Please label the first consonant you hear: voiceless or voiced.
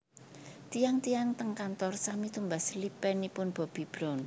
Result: voiceless